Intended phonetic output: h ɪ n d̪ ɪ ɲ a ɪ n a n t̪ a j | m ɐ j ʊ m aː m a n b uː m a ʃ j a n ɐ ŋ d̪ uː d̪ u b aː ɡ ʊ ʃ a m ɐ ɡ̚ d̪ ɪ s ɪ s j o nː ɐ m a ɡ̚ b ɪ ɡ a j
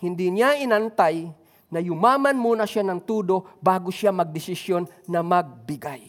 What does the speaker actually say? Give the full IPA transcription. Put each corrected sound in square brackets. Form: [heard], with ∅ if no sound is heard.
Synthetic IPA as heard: h ɪ n d̪ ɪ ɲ a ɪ n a n t̪ a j | [n] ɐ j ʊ m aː m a n [m] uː [n] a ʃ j a n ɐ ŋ [t̪] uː d̪ [o] b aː ɡ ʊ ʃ a m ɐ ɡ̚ d̪ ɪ s ɪ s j o nː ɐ m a ɡ̚ b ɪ ɡ a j